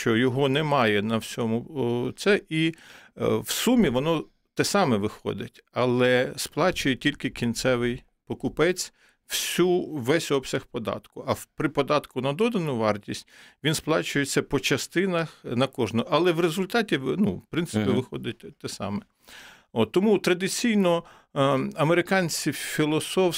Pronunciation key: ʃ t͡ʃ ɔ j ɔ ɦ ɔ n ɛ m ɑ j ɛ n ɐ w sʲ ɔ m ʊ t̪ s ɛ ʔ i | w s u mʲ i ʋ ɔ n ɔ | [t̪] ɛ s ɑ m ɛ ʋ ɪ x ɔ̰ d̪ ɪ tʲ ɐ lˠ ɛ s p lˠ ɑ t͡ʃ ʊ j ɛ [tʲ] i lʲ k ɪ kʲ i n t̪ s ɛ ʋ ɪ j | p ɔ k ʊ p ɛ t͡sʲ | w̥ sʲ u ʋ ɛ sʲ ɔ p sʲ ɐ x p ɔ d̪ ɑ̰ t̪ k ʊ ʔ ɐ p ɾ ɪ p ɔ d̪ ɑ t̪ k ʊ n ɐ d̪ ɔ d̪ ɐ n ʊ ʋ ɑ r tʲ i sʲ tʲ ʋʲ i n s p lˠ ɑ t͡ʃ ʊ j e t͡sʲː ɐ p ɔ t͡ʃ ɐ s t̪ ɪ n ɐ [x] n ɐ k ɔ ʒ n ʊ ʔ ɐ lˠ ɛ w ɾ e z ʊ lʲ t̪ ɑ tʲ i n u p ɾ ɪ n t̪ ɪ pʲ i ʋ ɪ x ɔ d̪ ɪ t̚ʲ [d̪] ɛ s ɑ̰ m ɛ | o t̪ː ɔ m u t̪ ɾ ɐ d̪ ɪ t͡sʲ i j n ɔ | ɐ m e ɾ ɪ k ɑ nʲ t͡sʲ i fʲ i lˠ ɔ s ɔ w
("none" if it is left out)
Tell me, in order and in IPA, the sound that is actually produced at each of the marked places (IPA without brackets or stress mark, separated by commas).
t̪, tʲ, x, t̪